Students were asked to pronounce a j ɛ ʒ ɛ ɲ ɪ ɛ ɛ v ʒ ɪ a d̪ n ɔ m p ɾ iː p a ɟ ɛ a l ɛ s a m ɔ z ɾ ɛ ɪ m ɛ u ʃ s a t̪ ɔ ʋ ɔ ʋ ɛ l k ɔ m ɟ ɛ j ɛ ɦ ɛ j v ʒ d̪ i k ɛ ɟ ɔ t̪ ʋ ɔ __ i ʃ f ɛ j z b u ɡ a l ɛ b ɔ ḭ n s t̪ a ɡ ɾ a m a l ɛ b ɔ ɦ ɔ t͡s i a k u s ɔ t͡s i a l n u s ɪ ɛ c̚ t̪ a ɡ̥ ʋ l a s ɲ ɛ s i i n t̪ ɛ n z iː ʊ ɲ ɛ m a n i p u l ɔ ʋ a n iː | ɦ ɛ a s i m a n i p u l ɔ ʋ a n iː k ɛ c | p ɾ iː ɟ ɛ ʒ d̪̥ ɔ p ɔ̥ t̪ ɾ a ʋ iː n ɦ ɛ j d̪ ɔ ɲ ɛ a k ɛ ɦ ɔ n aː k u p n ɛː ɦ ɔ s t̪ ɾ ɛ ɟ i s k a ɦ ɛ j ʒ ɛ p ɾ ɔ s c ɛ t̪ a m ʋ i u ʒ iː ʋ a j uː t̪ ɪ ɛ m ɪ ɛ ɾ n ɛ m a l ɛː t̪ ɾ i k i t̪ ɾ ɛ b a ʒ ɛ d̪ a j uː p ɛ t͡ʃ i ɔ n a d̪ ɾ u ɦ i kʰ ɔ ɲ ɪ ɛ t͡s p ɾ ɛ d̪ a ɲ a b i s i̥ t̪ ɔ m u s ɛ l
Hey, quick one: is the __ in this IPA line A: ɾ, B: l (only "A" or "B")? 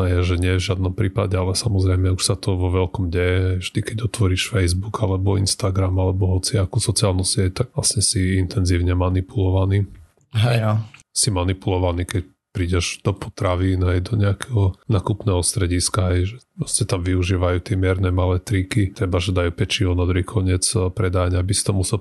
A